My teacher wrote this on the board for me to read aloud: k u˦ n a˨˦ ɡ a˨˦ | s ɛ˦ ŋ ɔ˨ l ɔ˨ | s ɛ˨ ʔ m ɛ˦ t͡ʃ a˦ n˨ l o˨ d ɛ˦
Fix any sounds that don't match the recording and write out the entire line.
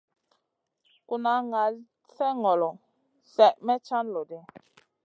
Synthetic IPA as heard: k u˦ n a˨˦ ŋ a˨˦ | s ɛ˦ ŋ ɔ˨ l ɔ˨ | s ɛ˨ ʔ m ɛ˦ t͡ʃ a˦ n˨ l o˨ d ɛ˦